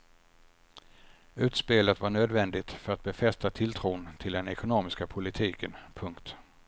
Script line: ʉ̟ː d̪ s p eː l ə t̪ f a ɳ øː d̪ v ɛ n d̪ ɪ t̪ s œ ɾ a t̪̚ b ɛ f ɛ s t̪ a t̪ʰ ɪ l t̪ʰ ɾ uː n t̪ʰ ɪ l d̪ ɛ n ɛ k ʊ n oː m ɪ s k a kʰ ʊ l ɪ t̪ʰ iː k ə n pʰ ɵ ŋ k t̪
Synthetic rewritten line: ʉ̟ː t̪ s p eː l ə t̪ v a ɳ øː d̪ v ɛ n d̪ ɪ t̪ f œ ɾ a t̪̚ b ɛ f ɛ s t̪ a t̪ʰ ɪ l t̪ʰ ɾ uː n t̪ʰ ɪ l d̪ ɛ n ɛ k ʊ n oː m ɪ s k a pʰ ʊ l ɪ t̪ʰ iː k ə n pʰ ɵ ŋ k t̪